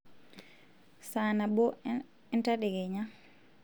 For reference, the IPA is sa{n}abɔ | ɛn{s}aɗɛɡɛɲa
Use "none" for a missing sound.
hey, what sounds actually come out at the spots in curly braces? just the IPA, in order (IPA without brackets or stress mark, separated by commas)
n, t